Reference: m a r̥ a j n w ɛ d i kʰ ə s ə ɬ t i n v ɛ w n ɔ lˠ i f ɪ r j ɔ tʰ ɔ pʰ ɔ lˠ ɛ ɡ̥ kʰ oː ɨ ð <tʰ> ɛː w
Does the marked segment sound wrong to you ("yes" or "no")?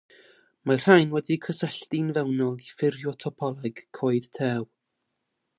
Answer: no